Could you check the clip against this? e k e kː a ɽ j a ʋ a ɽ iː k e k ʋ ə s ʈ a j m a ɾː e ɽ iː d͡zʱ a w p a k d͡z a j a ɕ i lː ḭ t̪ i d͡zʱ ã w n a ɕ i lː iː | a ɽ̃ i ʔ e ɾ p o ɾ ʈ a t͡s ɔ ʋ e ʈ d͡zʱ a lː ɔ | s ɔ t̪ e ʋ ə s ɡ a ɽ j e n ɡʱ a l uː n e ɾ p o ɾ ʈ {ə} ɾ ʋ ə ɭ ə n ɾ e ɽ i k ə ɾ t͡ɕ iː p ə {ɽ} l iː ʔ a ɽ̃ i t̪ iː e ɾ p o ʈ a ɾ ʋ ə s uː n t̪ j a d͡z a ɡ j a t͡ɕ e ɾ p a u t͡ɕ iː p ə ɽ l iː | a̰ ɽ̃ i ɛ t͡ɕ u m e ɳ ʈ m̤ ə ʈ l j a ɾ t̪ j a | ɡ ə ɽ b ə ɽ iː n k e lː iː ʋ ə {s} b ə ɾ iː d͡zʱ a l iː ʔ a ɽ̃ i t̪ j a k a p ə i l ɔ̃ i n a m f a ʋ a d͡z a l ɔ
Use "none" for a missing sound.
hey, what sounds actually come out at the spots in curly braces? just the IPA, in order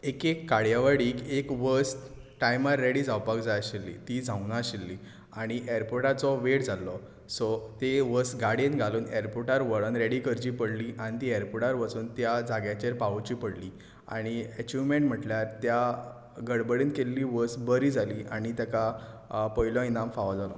a, ɽ, s

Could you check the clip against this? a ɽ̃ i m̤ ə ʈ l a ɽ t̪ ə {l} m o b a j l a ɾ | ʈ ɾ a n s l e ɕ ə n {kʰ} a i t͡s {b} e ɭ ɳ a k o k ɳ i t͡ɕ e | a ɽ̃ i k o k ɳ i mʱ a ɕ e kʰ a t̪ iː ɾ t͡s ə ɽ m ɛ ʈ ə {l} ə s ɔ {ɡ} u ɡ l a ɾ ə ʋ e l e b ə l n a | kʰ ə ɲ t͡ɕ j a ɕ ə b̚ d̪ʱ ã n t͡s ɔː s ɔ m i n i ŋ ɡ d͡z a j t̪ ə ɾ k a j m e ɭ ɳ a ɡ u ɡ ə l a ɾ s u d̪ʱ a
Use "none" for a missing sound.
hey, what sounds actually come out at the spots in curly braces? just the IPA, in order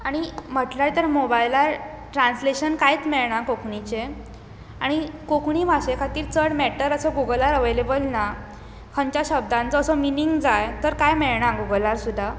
ɾ, k, m, ɾ, ɡ

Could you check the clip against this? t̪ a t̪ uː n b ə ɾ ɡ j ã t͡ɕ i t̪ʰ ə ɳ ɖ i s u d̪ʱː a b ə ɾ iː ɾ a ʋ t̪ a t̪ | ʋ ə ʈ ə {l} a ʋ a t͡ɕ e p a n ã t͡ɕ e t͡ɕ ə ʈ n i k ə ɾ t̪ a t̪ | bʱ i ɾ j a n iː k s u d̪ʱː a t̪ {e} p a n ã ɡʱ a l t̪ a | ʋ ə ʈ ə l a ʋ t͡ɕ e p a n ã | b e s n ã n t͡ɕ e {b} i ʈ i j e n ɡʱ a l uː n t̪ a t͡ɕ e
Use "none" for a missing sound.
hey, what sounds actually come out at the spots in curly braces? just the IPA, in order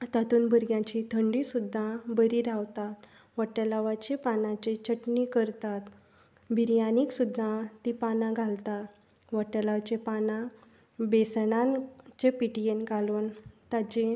l, i, p

